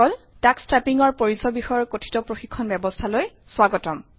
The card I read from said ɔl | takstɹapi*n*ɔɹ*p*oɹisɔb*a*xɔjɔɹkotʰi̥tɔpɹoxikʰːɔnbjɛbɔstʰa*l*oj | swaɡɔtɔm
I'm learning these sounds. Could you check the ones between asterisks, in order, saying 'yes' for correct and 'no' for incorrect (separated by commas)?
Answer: no, yes, no, yes